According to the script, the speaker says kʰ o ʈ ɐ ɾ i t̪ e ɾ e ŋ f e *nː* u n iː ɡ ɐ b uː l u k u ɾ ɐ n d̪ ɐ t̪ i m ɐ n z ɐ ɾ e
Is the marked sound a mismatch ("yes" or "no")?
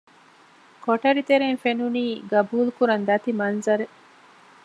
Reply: yes